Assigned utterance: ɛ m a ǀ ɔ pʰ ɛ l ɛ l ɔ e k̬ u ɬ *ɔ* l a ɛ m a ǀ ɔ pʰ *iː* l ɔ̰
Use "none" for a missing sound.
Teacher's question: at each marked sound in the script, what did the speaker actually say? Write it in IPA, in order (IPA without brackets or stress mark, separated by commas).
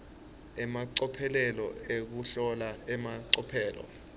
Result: ɔ, ɛː